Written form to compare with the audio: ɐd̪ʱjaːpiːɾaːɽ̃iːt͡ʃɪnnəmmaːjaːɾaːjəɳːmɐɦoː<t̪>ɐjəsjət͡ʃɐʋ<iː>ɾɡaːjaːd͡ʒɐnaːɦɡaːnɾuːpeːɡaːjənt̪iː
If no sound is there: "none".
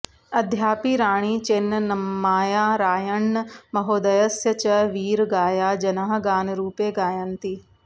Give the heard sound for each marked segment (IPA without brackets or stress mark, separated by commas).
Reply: d̪, iː